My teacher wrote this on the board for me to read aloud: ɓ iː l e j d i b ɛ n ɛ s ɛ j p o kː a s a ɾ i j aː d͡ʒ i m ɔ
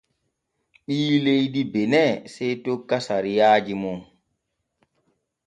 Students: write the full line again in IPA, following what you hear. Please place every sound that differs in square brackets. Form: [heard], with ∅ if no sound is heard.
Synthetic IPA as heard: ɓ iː l e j d i b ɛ n ɛ s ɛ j [t] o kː a s a ɾ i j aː d͡ʒ i m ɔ